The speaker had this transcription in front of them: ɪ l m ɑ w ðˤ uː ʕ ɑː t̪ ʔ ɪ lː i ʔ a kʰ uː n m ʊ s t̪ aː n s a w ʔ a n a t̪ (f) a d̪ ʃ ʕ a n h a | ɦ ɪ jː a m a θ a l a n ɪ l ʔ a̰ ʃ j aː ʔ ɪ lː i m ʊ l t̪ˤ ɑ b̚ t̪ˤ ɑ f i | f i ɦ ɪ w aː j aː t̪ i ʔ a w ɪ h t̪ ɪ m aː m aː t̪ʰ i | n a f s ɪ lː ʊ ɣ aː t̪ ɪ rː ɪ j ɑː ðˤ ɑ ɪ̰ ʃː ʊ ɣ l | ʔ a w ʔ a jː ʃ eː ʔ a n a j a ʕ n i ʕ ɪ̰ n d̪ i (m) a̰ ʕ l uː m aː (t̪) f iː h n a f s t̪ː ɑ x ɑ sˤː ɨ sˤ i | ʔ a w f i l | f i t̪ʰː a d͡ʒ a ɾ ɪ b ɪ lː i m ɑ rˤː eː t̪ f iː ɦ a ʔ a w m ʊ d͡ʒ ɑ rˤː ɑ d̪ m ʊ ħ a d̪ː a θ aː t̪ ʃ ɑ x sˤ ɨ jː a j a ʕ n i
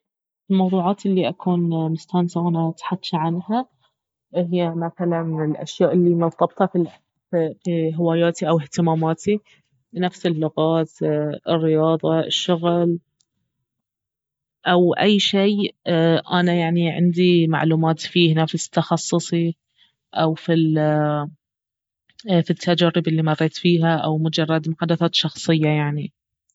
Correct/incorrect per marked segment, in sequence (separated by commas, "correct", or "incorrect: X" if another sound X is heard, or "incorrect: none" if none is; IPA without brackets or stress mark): incorrect: ħ, correct, correct